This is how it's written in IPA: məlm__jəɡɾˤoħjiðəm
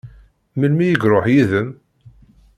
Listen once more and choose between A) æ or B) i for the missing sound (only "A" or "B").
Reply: B